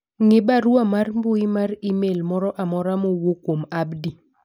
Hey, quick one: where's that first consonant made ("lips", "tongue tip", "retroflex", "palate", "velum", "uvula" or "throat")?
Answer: velum